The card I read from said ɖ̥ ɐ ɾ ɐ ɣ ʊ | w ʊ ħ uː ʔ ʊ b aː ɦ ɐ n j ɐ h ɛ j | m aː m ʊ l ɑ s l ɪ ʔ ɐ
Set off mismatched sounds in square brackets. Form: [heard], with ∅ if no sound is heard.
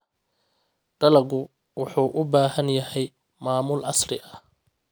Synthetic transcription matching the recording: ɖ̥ ɐ [l] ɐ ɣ ʊ | w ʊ ħ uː ʔ ʊ b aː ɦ ɐ n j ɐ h ɛ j | m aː m ʊ l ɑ s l ɪ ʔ ɐ